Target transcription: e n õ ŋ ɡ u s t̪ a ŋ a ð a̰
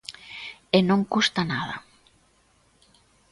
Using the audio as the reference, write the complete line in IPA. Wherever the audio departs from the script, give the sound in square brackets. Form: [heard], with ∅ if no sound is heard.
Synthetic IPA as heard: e n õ ŋ [k] u s t̪ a [n] a ð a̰